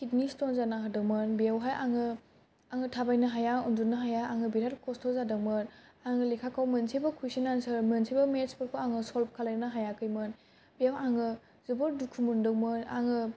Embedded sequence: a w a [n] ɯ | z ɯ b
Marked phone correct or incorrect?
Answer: incorrect